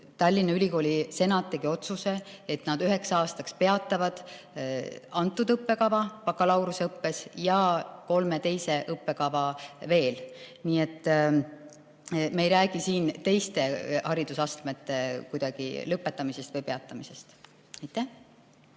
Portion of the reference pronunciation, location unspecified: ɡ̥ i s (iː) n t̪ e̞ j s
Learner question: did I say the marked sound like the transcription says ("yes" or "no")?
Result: yes